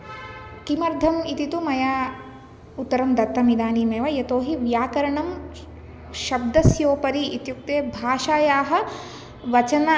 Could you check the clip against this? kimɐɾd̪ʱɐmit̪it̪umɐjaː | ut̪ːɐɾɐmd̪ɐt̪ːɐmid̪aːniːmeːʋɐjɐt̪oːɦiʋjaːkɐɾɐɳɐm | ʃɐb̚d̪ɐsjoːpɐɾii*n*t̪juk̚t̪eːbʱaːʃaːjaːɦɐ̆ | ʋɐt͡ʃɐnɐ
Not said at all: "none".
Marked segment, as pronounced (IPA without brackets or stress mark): none